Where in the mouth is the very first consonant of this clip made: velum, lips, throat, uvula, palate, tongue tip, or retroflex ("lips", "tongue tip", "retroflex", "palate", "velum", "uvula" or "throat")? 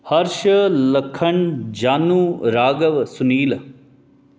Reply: throat